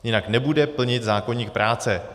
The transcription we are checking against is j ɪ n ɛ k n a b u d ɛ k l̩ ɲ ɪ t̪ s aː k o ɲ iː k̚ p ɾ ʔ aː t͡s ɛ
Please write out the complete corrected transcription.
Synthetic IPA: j ɪ n a k n ɛ b u d ɛ p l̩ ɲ ɪ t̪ z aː k o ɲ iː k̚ p ɾ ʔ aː t͡s ɛ